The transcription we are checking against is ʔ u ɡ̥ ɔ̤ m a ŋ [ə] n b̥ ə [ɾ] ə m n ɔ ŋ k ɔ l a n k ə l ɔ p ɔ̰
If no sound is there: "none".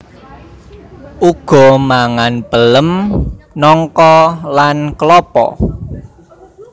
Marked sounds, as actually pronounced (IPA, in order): a, l

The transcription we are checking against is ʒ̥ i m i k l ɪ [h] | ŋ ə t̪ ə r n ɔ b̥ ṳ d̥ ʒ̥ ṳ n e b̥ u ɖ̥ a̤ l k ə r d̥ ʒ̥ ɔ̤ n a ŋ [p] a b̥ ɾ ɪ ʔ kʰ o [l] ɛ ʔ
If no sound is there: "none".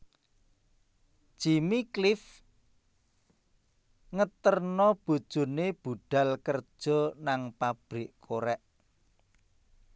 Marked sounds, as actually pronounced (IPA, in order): f, p, ɾ

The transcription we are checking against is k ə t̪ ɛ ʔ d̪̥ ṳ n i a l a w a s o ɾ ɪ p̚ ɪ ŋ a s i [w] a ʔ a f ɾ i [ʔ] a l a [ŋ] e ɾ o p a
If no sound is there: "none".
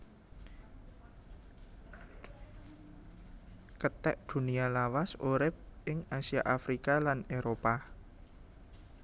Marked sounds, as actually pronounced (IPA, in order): none, k, n

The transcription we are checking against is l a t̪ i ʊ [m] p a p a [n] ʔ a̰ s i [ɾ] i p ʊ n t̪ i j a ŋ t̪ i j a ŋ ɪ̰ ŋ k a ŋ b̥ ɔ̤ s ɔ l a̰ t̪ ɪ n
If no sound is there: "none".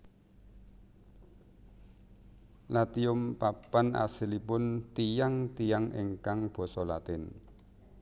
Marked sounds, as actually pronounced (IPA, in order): m, n, l

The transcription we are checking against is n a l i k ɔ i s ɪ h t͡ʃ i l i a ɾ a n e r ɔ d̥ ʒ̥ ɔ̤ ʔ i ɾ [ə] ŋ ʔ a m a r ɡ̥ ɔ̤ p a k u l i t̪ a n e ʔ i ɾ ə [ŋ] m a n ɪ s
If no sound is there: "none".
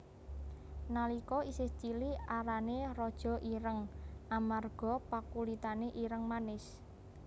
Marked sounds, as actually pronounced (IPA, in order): ə, ŋ

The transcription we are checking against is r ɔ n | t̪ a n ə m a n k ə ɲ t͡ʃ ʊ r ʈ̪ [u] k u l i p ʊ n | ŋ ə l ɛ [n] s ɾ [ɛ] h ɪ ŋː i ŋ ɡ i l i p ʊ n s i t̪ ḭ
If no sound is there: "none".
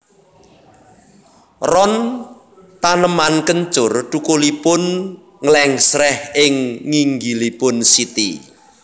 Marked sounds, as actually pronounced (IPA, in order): u, ŋ, ɛ

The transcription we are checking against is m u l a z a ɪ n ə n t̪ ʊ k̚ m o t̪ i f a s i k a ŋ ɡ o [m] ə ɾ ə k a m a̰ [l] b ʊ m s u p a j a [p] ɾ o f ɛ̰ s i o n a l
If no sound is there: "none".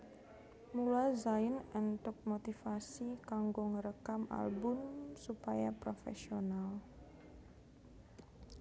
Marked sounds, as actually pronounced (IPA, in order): ŋ, l, p

